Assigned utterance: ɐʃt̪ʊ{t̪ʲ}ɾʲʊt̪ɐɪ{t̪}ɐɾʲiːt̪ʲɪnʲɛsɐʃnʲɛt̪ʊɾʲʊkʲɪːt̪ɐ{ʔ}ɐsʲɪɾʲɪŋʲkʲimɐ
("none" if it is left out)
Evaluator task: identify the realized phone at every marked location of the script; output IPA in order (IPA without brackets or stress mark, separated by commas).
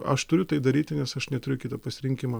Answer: none, d̪, p